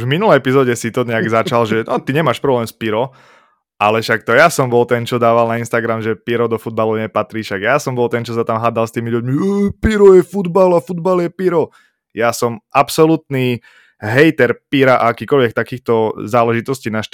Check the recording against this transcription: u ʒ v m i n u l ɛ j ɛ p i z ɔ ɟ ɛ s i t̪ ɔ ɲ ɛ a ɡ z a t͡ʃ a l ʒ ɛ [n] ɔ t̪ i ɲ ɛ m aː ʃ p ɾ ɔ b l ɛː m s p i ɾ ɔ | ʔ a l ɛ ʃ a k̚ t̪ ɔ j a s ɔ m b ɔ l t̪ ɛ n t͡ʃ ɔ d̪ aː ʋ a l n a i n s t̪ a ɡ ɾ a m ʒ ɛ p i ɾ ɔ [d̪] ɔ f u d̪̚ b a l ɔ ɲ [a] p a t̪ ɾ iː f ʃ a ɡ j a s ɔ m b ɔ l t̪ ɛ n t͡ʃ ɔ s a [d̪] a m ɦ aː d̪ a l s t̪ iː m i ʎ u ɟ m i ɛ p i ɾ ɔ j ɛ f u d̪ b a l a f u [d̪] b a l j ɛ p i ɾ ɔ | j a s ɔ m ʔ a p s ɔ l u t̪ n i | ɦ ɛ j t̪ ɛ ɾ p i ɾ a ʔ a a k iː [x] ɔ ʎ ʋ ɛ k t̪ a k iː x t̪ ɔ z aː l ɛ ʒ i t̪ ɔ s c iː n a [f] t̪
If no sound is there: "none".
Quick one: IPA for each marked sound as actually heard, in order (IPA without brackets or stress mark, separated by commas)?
n, d̪, ɛ, t̪, d̪, k, ʃ